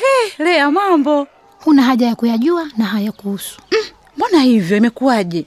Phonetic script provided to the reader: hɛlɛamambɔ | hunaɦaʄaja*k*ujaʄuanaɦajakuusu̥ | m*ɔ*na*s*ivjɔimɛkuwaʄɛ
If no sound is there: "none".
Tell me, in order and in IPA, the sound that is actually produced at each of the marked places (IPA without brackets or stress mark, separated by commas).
k, ɔ, h